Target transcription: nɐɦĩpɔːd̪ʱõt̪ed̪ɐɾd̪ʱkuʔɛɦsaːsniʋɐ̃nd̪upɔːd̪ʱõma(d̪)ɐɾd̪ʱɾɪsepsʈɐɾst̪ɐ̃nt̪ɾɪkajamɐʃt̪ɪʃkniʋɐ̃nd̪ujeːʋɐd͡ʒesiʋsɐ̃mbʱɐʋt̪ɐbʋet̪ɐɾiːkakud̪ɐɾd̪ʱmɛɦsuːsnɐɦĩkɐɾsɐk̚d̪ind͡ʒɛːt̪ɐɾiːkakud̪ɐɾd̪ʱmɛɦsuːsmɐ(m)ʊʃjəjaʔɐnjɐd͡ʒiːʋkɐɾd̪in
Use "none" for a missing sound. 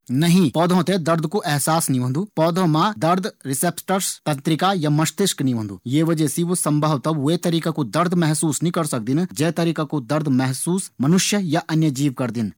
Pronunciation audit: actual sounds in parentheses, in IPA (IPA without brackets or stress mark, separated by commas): d̪, n